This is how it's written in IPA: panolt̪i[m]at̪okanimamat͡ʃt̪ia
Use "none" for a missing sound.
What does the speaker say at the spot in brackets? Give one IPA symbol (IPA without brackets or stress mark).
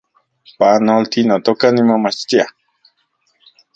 n